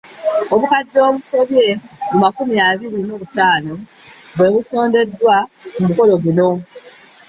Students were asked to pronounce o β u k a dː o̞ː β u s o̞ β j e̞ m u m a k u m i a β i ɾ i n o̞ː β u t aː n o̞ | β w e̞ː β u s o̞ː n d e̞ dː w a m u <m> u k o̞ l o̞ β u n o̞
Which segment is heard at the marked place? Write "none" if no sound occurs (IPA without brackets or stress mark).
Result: m